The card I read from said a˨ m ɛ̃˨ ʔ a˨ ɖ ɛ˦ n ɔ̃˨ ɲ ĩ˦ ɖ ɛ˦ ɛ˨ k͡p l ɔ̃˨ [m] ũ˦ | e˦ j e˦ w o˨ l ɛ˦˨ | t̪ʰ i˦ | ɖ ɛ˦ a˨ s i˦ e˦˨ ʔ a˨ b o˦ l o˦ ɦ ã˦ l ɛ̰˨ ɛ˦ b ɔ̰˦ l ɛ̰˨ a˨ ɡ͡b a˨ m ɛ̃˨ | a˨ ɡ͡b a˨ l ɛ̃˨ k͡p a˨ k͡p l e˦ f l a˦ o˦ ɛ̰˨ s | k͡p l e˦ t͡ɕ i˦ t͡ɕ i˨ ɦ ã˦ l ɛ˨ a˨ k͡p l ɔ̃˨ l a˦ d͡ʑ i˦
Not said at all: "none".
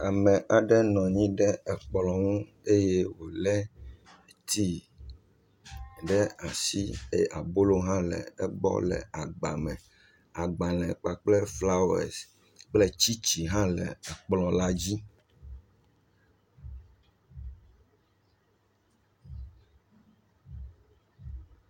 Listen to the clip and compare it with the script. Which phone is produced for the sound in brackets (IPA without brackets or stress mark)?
ŋ